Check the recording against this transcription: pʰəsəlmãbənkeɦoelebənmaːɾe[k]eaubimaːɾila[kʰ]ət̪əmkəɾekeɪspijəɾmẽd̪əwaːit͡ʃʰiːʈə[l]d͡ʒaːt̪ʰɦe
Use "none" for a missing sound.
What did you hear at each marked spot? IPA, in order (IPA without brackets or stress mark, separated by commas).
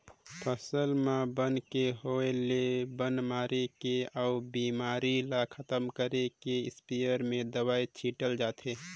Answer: k, kʰ, l